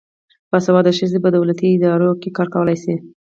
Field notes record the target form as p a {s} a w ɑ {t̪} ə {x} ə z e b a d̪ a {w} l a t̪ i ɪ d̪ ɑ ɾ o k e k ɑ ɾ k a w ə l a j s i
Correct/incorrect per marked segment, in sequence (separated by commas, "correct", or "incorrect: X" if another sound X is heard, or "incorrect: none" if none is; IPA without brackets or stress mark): correct, incorrect: d̪, incorrect: ʃ, correct